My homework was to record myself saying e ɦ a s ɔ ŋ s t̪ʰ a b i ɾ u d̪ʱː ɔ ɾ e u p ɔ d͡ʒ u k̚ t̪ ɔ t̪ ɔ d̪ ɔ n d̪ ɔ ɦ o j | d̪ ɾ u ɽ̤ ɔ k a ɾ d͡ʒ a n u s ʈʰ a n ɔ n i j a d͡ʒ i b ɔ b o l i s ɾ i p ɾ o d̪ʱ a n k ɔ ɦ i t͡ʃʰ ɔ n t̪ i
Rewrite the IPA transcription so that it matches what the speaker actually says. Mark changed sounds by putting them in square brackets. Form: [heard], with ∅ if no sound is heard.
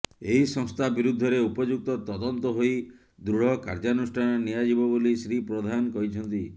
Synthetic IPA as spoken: e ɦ [i] s ɔ ŋ s t̪ʰ a b i ɾ u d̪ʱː ɔ ɾ e u p ɔ d͡ʒ u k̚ t̪ ɔ t̪ ɔ d̪ ɔ n [t̪] ɔ ɦ o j | d̪ ɾ u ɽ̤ ɔ k a ɾ d͡ʒ a n u s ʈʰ a n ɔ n i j a d͡ʒ i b ɔ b o l i s ɾ i p ɾ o d̪ʱ a n k ɔ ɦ i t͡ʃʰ ɔ n t̪ i